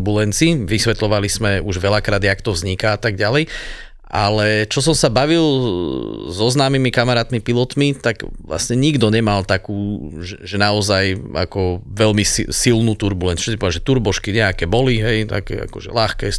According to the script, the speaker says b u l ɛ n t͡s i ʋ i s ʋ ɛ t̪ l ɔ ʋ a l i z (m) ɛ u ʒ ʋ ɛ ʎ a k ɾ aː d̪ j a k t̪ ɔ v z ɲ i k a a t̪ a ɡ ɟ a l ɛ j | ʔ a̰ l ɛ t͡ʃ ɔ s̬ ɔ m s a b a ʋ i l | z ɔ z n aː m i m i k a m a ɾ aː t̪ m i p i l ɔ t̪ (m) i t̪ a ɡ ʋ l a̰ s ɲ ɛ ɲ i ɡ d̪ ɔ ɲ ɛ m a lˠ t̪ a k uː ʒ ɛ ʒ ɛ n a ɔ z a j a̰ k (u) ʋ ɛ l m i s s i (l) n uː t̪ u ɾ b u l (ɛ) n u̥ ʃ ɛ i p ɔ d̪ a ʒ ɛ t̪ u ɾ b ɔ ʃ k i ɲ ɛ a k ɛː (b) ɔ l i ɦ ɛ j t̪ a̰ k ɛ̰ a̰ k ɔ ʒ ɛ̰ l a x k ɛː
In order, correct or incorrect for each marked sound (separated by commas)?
correct, correct, incorrect, correct, correct, correct